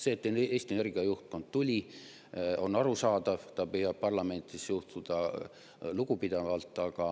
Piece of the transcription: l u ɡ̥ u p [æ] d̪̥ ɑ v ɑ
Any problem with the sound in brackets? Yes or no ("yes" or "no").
yes